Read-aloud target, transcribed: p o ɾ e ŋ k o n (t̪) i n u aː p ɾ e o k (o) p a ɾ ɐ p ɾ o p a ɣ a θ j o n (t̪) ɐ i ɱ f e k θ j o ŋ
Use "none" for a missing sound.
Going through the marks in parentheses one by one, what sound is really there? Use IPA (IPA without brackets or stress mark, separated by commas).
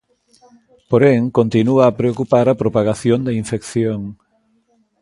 t̪, u, d̪